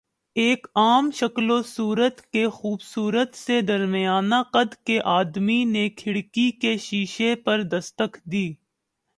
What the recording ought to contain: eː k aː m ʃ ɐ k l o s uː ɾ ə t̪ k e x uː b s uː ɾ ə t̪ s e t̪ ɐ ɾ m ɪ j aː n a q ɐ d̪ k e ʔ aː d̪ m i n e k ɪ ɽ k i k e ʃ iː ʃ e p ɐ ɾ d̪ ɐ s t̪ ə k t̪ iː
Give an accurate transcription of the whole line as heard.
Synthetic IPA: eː k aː m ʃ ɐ k l o s uː ɾ ə t̪ k e x uː b s uː ɾ ə t̪ s e d̪ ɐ ɾ m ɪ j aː n a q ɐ d̪ k e ʔ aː d̪ m i n e kʰ ɪ ɽ k i k e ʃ iː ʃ e p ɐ ɾ d̪ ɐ s t̪ ə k d̪ iː